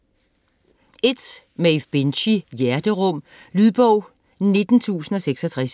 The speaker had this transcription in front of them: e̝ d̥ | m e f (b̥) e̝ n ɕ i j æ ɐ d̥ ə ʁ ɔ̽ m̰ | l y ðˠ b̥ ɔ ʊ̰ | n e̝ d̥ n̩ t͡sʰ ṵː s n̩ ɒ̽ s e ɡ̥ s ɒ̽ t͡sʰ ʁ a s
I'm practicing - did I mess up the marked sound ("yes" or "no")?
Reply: no